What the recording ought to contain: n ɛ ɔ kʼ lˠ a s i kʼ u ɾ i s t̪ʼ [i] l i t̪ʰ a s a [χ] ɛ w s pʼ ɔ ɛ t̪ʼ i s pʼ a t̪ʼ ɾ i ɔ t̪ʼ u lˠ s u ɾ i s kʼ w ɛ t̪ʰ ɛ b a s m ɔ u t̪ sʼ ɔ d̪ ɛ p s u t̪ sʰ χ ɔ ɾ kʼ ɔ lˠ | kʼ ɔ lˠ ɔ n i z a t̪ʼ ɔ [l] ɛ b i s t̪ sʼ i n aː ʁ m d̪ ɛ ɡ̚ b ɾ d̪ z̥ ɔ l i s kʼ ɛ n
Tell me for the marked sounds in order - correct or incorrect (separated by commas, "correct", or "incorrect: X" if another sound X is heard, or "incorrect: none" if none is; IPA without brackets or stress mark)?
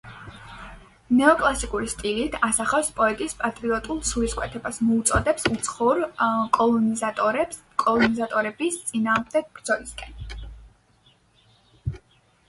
correct, correct, incorrect: ɾ